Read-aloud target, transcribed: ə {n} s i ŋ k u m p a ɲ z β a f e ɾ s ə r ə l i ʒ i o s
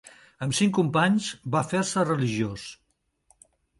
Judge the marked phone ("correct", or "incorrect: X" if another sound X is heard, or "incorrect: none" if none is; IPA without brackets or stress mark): incorrect: m